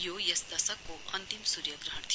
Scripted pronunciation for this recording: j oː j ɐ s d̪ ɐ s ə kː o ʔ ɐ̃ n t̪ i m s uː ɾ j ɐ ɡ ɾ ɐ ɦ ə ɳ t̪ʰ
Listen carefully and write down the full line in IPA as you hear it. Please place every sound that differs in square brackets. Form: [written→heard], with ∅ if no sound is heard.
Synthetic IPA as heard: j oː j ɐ s d̪ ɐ s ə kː o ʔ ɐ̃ n t̪ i m s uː ɾ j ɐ ɡ ɾ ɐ ɦ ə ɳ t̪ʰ